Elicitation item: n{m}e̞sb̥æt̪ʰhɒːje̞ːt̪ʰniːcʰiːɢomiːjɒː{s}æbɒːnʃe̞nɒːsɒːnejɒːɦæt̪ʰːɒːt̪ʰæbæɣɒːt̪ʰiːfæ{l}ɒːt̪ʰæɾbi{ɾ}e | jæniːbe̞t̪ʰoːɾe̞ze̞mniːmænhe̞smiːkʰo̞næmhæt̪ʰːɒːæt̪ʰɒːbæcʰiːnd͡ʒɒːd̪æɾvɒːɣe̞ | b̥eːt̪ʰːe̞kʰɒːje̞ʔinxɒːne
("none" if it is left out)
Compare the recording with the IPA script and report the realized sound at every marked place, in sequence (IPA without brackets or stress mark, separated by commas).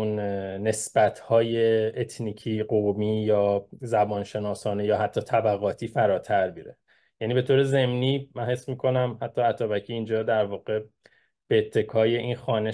n, z, ɾ, ɾ